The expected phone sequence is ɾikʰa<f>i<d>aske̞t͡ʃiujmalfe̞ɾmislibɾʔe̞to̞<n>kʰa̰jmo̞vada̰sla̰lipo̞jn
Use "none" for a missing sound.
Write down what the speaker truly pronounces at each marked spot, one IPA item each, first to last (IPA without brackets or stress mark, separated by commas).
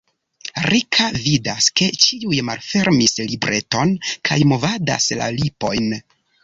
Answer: v, d, n